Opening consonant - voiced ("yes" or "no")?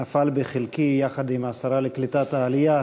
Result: no